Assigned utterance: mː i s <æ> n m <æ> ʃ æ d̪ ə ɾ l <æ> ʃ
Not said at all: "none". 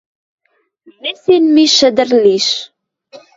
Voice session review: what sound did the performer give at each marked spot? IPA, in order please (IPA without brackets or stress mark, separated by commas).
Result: i, i, i